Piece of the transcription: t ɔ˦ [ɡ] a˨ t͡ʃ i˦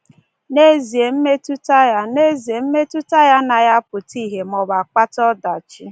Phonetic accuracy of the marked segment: incorrect: d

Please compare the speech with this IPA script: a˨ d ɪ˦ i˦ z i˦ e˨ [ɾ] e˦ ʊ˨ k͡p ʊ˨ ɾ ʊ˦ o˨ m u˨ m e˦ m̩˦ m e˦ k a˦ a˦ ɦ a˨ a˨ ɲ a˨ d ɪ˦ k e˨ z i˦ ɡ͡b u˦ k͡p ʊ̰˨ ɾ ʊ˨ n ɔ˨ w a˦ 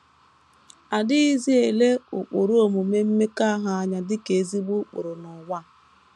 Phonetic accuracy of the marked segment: incorrect: l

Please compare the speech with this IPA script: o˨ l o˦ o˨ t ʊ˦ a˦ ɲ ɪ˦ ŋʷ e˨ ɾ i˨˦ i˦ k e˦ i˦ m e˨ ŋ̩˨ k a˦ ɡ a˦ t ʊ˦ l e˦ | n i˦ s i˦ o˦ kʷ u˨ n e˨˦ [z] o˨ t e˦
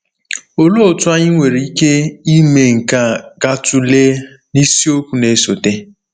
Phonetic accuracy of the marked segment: incorrect: s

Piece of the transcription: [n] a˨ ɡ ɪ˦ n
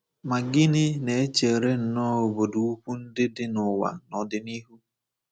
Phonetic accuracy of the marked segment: incorrect: m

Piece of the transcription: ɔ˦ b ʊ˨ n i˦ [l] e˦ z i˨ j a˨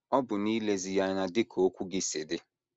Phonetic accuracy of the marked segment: correct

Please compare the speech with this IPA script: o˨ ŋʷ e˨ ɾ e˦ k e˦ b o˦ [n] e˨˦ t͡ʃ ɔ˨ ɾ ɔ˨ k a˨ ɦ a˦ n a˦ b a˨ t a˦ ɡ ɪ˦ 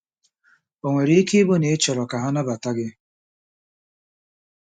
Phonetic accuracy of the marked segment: correct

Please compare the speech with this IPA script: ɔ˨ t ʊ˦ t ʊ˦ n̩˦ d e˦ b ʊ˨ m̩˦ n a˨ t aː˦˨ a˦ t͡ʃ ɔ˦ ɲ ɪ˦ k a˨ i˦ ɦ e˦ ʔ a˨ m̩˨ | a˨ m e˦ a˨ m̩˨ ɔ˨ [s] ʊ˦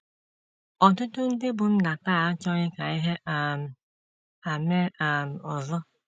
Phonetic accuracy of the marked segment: incorrect: z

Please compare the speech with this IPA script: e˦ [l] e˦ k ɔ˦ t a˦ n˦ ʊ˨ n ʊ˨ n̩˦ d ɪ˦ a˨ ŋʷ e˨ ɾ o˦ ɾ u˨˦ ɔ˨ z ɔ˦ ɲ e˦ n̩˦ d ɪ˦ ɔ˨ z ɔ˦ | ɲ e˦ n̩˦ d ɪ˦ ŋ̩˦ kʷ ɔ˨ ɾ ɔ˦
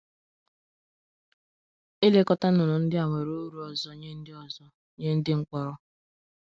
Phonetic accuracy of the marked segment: correct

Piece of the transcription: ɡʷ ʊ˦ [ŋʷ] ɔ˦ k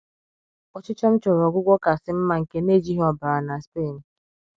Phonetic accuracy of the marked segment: incorrect: ɡʷ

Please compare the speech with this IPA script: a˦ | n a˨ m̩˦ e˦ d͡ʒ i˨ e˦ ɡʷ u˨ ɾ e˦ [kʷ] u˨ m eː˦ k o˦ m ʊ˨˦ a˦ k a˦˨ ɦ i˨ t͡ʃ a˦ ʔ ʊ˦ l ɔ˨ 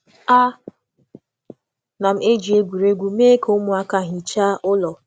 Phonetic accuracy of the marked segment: incorrect: ɡʷ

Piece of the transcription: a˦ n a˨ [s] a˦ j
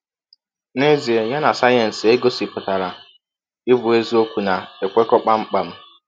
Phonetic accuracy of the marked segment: correct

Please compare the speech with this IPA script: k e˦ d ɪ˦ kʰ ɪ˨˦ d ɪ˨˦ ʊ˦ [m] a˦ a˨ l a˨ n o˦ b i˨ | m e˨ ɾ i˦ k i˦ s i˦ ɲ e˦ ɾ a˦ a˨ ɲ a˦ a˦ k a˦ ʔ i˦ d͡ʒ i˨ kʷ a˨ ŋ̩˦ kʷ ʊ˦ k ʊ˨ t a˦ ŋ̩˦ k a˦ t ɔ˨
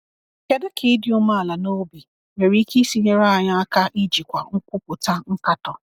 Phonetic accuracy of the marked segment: correct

